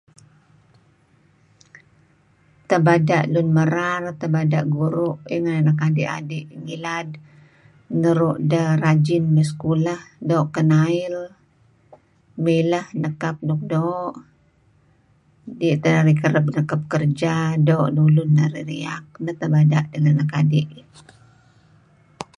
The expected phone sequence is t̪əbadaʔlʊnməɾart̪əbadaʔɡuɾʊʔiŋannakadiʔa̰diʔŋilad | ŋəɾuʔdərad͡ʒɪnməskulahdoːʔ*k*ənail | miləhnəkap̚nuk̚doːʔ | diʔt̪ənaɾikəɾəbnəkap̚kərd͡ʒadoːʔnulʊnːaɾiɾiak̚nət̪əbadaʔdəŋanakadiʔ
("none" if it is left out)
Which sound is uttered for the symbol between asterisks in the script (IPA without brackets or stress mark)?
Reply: k